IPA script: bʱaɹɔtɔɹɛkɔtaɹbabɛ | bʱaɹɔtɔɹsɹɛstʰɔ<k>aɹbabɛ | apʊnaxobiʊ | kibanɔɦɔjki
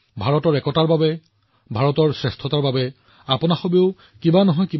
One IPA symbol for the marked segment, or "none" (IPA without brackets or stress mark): t